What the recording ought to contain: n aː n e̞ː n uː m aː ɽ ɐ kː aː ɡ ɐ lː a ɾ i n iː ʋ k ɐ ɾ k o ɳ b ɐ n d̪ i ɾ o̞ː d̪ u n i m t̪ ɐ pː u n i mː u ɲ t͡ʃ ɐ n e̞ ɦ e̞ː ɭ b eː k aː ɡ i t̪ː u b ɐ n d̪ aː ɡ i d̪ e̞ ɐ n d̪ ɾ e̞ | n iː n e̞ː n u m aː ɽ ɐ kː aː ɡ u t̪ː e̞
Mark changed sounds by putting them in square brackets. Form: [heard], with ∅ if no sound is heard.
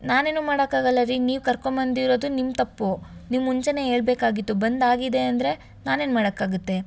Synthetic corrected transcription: n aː n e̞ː n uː m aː ɽ ɐ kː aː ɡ ɐ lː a ɾ i n iː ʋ k ɐ ɾ k o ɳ b ɐ n d̪ i ɾ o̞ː d̪ u n i m t̪ ɐ pː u n i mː u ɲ t͡ʃ ɐ n e̞ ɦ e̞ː ɭ b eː k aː ɡ i t̪ː u b ɐ n d̪ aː ɡ i d̪ e̞ ɐ n d̪ ɾ e̞ | n [aː] n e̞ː n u m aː ɽ ɐ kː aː ɡ u t̪ː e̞